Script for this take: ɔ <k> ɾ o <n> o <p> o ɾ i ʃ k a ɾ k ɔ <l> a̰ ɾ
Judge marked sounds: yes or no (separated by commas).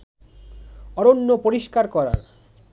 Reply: no, no, yes, no